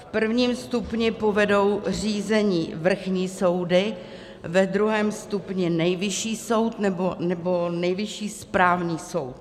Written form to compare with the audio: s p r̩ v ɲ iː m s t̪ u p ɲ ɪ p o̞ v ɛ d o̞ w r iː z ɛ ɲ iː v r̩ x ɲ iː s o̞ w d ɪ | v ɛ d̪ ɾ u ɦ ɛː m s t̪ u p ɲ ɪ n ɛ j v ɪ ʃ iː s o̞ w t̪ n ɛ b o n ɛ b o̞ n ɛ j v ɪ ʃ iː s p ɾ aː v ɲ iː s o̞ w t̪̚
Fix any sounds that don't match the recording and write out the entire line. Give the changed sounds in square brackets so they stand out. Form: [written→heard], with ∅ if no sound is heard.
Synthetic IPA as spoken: [s→f] p r̩ v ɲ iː m s t̪ u p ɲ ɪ p o̞ v ɛ d o̞ w r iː z ɛ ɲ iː v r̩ x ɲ iː s o̞ w d ɪ | v ɛ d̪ ɾ u ɦ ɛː m s t̪ u p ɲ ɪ n ɛ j v ɪ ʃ iː s o̞ w t̪ n ɛ b o n ɛ b o̞ n ɛ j v ɪ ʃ iː s p ɾ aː v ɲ iː s o̞ w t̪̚